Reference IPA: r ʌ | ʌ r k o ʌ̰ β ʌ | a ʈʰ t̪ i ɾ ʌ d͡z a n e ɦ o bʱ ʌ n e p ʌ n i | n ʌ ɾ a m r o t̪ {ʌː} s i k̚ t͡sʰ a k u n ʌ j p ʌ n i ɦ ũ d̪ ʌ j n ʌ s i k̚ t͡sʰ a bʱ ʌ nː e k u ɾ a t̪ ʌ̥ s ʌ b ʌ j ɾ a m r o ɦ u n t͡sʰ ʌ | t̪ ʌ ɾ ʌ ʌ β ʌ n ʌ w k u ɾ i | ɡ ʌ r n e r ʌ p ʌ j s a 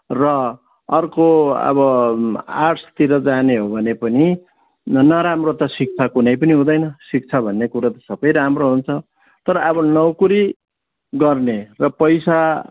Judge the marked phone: incorrect: ʌ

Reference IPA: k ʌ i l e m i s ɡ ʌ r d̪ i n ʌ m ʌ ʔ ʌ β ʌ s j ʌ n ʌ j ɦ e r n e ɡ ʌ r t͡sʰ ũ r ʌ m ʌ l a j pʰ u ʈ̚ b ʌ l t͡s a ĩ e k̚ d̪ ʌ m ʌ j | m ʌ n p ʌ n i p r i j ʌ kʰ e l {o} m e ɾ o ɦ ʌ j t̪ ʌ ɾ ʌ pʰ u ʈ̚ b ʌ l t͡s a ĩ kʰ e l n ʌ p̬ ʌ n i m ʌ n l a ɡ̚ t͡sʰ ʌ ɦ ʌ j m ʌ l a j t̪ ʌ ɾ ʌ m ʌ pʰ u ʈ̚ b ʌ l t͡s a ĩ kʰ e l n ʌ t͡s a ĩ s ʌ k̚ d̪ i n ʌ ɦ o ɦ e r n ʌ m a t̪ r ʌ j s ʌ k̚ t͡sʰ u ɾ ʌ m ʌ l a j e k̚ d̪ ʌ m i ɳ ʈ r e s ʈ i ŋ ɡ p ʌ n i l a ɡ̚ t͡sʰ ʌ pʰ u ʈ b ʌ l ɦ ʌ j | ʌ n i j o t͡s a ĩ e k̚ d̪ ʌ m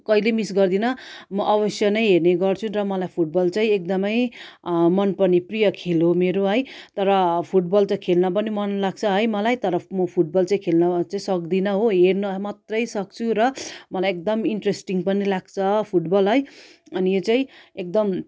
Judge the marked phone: correct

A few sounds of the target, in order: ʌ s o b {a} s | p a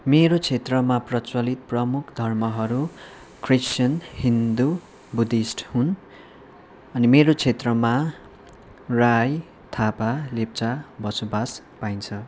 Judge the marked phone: correct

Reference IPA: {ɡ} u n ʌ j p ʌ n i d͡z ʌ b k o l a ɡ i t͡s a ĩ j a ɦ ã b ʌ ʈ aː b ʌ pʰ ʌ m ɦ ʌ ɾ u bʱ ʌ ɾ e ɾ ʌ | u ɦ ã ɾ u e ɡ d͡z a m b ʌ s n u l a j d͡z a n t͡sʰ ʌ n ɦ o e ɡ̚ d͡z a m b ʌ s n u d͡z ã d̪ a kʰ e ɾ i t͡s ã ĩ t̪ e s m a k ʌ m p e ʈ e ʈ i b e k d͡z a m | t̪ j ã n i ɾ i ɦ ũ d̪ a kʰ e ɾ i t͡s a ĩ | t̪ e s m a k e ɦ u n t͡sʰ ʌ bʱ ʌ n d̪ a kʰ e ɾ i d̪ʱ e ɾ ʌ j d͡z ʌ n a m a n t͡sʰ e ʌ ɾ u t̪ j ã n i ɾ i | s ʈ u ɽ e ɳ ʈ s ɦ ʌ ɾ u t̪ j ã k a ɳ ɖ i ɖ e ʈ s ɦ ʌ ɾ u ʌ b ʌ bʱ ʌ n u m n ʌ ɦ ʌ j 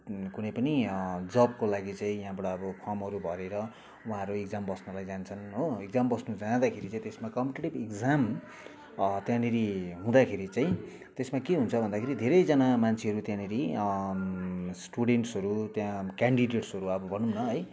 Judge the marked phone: incorrect: k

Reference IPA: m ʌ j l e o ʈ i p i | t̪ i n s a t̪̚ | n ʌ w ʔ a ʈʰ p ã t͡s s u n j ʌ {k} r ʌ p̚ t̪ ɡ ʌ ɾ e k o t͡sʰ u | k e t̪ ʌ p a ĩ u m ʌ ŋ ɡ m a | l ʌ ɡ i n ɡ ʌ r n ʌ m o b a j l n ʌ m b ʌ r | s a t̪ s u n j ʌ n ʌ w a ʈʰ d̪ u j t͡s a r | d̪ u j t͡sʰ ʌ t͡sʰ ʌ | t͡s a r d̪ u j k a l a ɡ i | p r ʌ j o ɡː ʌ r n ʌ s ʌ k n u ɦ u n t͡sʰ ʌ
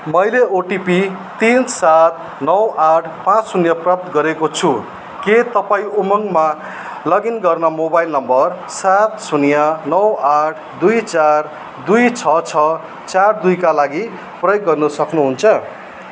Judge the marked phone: incorrect: p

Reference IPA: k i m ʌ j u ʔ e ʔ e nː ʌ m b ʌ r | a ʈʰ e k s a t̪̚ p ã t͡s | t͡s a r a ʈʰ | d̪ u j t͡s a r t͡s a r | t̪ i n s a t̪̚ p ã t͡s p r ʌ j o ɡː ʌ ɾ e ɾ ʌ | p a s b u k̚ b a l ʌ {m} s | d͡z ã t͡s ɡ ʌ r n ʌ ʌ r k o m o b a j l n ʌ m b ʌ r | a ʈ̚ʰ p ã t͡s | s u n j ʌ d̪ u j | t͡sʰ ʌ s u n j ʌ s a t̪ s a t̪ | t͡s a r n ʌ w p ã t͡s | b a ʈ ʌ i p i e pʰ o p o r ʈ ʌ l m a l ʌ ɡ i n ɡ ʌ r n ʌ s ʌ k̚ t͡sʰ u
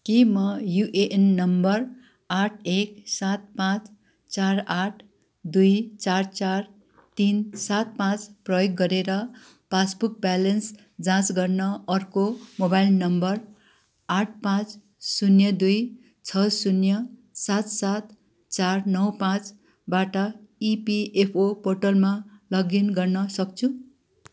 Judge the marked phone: incorrect: n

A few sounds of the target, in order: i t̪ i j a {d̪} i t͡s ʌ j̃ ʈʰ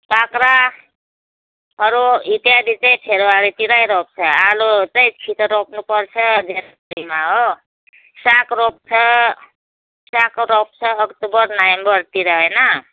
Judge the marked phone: correct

